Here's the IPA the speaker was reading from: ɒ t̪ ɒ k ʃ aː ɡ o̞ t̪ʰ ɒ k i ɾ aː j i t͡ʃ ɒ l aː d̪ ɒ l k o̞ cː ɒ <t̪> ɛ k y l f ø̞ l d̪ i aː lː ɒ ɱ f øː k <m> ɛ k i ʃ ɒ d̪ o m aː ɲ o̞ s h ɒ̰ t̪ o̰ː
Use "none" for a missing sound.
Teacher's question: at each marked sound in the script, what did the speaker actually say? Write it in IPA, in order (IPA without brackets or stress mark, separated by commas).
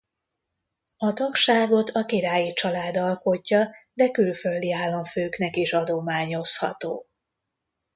d̪, n